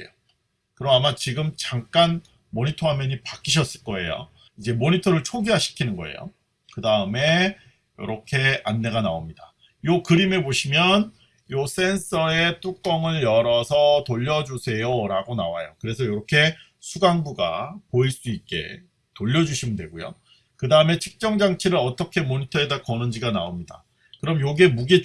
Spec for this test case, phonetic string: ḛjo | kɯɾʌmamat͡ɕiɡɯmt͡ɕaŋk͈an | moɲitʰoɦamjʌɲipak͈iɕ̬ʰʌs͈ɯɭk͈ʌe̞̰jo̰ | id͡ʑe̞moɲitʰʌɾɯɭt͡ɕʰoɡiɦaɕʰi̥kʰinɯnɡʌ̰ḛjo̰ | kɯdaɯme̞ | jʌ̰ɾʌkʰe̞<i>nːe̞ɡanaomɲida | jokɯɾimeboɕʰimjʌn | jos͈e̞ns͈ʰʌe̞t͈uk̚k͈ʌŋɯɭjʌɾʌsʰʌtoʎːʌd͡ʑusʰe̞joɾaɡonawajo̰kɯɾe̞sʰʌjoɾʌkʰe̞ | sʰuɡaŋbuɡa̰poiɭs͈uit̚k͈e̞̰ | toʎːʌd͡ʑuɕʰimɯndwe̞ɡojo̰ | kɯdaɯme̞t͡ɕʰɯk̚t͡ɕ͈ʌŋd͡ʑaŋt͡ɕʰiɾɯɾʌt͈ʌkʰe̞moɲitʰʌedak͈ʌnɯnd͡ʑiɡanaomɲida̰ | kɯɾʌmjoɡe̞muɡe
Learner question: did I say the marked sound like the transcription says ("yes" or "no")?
no